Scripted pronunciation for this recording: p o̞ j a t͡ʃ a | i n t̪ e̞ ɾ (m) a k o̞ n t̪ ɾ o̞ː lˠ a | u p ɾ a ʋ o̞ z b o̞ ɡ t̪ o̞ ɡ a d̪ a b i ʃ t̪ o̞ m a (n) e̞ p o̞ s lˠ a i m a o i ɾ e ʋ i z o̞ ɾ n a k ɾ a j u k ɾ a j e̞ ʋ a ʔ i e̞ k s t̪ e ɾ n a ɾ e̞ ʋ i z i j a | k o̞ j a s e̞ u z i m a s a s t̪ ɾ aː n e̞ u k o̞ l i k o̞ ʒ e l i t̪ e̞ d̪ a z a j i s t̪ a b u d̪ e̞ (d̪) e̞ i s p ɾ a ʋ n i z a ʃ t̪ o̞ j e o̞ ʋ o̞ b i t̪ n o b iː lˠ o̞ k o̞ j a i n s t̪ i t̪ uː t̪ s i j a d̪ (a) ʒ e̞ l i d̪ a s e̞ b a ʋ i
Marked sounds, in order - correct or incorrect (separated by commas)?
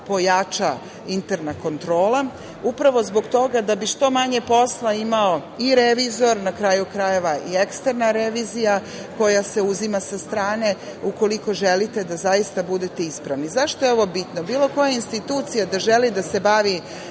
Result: incorrect, incorrect, incorrect, correct